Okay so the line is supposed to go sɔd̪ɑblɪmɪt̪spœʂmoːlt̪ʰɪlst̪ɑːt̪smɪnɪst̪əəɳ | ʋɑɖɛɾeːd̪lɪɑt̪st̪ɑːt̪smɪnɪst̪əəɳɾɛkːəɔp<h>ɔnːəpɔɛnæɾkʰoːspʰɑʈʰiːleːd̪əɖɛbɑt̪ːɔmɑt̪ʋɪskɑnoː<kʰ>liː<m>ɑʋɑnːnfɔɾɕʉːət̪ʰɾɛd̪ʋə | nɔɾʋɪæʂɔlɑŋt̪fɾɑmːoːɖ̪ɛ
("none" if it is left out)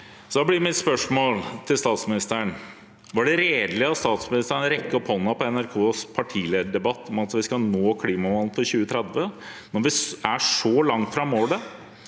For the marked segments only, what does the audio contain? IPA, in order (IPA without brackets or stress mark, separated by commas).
h, kʰ, m